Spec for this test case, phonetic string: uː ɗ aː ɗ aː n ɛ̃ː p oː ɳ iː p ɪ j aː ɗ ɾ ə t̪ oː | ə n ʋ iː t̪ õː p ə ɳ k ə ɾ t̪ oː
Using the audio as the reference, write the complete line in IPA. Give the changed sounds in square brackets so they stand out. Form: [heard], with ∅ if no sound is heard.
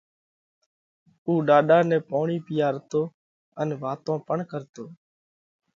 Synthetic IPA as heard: uː ɗ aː ɗ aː n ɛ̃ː p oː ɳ iː p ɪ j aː [∅] ɾ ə t̪ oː | ə n ʋ [aː] t̪ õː p ə ɳ k ə ɾ t̪ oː